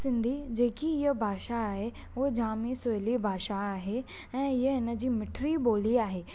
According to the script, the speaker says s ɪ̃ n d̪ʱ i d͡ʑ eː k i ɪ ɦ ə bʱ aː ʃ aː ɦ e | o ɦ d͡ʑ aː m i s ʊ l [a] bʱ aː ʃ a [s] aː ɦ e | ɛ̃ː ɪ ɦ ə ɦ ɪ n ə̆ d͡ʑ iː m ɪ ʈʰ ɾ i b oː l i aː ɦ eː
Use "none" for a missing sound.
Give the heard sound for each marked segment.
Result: i, none

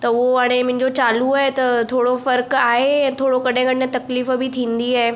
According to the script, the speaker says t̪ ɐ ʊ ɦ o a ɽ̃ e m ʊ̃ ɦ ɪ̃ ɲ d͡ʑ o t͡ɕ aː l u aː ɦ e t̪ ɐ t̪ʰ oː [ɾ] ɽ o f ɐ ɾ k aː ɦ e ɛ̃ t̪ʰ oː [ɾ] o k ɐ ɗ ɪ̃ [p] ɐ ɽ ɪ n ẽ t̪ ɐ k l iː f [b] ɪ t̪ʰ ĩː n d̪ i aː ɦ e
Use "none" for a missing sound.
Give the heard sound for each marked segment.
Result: none, ɽ, k, b

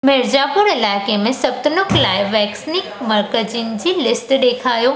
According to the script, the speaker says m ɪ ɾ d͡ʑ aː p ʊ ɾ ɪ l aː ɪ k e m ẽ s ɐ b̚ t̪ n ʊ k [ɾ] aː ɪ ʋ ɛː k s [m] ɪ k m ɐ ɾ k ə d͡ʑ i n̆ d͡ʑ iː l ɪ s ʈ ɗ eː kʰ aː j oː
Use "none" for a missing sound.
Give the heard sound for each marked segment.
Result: l, n

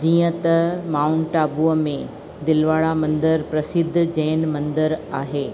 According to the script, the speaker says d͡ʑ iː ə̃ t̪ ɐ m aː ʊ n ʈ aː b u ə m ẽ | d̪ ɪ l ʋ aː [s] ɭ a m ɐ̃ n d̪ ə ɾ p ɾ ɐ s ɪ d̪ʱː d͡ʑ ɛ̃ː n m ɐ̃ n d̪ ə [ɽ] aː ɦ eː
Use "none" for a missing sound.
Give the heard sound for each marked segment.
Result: none, ɾ

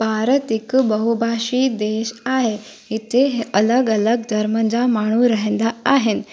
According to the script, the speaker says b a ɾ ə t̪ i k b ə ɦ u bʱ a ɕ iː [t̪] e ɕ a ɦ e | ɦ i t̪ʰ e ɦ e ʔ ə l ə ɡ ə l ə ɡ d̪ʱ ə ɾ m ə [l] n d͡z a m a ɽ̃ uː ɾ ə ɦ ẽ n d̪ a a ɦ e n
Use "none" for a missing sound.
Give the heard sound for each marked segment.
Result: d̪, none

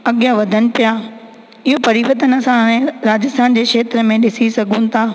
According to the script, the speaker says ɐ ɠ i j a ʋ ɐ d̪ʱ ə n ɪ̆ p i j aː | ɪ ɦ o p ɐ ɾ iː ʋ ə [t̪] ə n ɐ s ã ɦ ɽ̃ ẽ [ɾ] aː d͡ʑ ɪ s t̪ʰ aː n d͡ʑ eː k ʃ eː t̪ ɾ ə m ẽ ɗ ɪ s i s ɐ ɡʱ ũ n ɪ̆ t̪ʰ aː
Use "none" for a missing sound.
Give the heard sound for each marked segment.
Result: t̪, ɾ

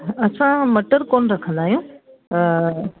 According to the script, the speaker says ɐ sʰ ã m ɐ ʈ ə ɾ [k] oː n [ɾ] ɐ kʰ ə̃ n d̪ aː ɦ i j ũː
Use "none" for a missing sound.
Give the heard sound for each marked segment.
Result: k, ɾ

